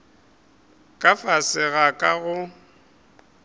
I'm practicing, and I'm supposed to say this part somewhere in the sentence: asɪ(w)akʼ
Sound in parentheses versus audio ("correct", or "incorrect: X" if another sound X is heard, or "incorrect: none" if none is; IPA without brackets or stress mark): incorrect: ɣ